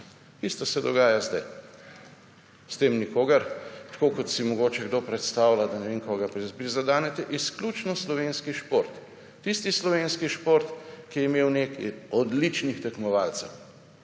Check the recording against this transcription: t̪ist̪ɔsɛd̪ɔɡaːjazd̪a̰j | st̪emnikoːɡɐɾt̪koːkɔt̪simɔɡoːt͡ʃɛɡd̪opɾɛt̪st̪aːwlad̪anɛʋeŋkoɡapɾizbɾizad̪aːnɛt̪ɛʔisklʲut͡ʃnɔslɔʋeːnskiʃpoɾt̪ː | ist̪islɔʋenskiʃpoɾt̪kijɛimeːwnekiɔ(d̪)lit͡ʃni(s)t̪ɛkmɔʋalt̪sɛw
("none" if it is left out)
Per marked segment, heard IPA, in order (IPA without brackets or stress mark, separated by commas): d̪, x